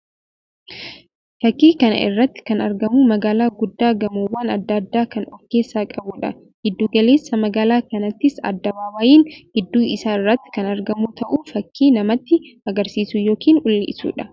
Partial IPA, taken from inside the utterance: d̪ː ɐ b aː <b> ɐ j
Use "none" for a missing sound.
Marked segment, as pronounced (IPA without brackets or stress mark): w